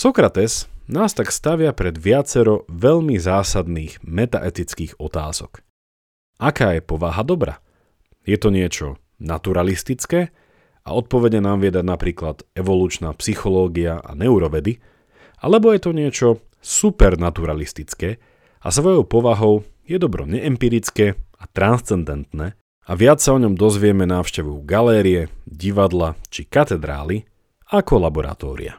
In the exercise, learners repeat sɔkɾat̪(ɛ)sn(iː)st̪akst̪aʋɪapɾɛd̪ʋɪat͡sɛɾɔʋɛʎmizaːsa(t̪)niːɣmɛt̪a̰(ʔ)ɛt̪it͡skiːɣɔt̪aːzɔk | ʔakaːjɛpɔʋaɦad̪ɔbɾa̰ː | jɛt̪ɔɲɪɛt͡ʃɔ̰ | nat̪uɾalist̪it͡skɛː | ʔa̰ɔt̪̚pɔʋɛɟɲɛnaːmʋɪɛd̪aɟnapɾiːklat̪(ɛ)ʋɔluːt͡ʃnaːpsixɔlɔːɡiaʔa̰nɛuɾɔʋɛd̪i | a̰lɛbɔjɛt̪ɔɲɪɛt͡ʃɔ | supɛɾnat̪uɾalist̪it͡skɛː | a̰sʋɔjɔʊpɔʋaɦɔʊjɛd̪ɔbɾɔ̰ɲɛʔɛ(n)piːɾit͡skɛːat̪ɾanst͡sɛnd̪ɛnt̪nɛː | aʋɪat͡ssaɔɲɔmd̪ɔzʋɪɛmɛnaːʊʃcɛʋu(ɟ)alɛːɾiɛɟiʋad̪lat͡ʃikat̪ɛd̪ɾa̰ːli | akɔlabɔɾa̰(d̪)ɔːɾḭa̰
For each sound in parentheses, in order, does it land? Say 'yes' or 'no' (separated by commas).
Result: yes, no, no, yes, yes, no, no, no